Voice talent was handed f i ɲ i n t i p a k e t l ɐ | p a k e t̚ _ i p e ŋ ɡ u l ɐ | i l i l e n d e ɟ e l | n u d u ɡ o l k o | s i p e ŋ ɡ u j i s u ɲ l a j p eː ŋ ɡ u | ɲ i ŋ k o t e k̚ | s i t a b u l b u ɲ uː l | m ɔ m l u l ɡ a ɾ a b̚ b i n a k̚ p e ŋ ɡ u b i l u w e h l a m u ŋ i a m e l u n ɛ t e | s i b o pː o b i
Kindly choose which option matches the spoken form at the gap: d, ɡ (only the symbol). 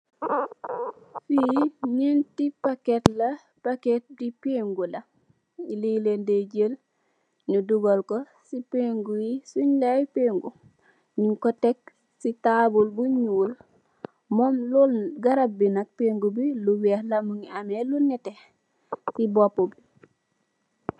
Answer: d